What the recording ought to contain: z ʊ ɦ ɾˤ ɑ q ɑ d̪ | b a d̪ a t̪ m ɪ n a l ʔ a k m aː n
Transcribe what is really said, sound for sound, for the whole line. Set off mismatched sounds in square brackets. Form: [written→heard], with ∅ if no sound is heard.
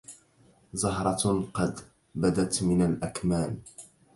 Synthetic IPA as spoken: z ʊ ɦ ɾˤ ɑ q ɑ d̪ | b a d̪ a t̪ m ɪ n a l ʔ a k m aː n